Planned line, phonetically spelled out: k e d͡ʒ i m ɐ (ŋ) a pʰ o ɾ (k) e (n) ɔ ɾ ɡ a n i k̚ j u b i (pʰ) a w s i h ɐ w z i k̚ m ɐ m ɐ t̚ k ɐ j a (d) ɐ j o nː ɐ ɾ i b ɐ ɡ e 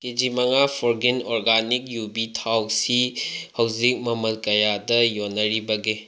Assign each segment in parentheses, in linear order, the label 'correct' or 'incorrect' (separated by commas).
correct, incorrect, correct, incorrect, correct